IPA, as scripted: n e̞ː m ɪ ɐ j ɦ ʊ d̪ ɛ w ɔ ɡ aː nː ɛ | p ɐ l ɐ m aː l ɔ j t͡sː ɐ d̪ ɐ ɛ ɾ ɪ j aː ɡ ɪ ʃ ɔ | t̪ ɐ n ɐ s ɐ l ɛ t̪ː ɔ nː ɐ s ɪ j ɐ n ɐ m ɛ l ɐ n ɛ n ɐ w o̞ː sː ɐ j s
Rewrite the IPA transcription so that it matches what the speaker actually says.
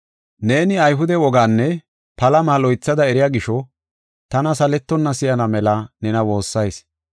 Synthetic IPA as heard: n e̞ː n ɪ ɐ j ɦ ʊ d̪ ɛ w ɔ ɡ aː nː ɛ | p ɐ l ɐ m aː l ɔ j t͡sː ɐ d̪ ɐ ɛ ɾ ɪ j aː ɡ ɪ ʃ ɔ | t̪ ɐ n ɐ s ɐ l ɛ t̪ː ɔ nː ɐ s ɪ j ɐ n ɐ m ɛ l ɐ n ɛ n ɐ w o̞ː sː ɐ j s